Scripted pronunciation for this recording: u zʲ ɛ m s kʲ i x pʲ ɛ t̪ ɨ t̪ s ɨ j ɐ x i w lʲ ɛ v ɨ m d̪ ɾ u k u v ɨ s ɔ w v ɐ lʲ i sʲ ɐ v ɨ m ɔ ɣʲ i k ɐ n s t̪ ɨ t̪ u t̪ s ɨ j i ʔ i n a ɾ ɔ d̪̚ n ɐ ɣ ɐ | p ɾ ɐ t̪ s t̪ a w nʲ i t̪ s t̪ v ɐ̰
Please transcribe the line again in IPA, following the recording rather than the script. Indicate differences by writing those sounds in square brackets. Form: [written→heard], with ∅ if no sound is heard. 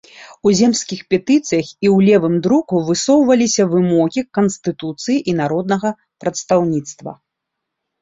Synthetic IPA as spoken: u zʲ ɛ m s kʲ i x pʲ ɛ t̪ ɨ t̪ s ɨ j ɐ x i w lʲ ɛ v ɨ m d̪ ɾ u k u v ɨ s ɔ w v ɐ lʲ i sʲ ɐ v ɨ m ɔ ɣʲ i k ɐ n s t̪ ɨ t̪ u t̪ s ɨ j i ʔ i n a ɾ ɔ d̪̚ n ɐ ɣ ɐ | p ɾ ɐ t̪ s t̪ a w nʲ i t̪ s t̪ v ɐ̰